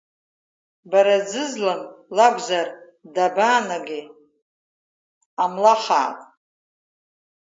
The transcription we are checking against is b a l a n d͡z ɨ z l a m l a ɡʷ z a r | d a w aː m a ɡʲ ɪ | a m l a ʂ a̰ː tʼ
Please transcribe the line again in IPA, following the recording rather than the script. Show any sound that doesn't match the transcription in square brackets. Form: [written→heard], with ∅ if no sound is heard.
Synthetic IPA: b a [l→ɾ] a [n→∅] d͡z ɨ z l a [m→n] l a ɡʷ z a r | d a [w→b] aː [m→n] a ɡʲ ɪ | a m l a [ʂ→χ] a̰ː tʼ